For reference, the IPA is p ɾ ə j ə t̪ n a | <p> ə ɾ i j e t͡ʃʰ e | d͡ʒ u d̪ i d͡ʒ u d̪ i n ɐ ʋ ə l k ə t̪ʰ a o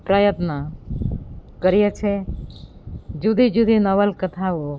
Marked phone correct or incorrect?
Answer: incorrect